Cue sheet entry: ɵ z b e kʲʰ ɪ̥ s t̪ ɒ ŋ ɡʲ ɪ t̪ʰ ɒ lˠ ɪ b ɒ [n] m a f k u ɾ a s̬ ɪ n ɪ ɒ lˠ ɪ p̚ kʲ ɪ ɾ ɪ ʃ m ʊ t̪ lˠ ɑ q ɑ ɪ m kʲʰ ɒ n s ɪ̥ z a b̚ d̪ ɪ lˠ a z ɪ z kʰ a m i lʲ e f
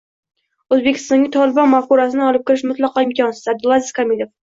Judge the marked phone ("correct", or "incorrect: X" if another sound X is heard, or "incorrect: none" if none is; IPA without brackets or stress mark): correct